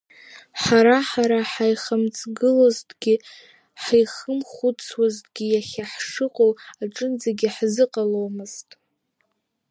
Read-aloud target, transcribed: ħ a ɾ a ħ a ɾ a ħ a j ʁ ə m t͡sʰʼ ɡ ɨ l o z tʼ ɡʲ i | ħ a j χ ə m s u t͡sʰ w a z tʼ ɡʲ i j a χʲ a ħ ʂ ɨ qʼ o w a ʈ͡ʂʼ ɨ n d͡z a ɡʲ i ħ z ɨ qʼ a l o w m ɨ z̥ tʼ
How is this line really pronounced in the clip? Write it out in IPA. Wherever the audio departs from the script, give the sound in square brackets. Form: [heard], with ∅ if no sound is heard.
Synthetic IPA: ħ a ɾ a ħ a ɾ a ħ a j [χ] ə m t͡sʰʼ ɡ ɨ l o z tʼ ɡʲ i | ħ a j χ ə m [χ] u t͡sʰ w a z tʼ ɡʲ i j a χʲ a ħ ʂ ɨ qʼ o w a ʈ͡ʂʼ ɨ n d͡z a ɡʲ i ħ z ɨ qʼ a l o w m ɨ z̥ tʼ